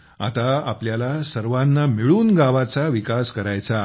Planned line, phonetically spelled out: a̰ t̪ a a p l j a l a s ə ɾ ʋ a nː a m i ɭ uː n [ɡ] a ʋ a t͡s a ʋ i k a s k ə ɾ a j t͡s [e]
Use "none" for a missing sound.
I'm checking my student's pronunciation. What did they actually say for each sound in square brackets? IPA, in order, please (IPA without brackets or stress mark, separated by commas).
ɡ, a